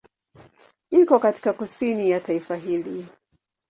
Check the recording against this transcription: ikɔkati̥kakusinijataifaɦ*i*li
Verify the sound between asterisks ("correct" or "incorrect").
correct